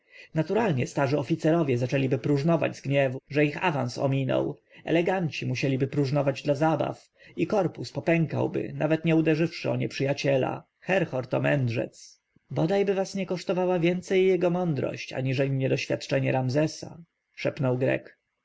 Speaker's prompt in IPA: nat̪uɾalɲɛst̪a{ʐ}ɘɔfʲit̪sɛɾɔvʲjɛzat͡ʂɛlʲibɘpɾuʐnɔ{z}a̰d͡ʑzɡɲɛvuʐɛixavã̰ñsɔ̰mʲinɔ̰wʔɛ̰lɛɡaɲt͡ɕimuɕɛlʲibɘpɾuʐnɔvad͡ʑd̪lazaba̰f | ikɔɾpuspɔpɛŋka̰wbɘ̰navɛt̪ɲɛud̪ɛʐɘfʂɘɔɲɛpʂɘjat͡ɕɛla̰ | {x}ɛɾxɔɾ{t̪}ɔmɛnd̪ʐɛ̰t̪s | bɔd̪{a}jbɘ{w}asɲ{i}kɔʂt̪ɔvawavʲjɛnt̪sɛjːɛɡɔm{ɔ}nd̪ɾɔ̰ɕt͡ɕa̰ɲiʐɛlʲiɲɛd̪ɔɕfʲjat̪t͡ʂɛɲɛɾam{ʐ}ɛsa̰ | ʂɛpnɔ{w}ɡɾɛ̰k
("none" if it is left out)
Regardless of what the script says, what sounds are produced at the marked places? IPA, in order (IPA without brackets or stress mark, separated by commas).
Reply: ʐ, v, x, t̪, a, v, ɛ, ɔ, z, w